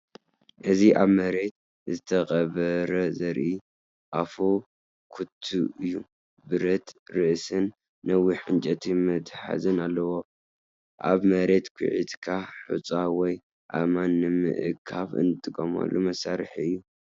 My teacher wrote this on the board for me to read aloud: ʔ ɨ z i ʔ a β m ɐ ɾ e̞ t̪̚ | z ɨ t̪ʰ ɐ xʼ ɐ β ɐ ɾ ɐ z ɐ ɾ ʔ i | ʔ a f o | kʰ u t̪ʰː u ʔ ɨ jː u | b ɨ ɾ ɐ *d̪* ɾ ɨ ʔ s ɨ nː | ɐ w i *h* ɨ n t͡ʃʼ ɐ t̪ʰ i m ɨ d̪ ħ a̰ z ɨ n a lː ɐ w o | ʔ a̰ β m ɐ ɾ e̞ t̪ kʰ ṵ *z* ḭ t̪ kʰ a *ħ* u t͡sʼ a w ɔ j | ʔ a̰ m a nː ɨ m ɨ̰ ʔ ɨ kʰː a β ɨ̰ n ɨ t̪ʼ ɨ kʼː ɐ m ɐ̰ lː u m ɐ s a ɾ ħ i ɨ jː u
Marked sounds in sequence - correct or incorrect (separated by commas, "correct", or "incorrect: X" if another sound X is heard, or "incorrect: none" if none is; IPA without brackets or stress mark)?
incorrect: t̪, incorrect: ħ, incorrect: ʕ, correct